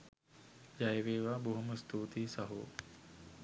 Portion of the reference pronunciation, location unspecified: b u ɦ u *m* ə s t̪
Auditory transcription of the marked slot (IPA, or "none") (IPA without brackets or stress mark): m